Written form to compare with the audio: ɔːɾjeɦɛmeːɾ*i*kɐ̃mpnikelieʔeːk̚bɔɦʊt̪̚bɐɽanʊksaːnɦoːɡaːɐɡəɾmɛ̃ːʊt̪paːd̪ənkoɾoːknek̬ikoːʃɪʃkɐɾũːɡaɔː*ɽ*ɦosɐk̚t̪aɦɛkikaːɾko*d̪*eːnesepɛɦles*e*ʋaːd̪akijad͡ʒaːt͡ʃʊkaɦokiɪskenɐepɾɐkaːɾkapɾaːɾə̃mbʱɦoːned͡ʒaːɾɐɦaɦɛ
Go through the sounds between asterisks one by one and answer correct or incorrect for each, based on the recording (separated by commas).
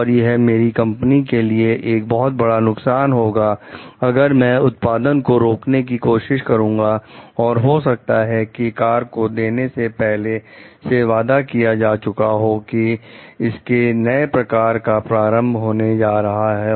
correct, incorrect, correct, correct